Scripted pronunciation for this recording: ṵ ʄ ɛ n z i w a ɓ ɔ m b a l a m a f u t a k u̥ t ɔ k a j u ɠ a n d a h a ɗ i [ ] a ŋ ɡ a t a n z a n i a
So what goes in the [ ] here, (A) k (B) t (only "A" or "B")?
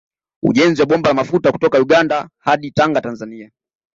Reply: B